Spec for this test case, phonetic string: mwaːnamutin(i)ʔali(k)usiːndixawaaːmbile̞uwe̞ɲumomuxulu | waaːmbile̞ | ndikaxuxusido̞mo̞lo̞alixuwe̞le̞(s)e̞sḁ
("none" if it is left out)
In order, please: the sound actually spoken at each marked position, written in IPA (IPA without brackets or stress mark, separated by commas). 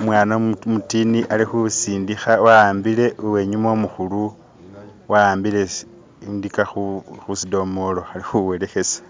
i, x, x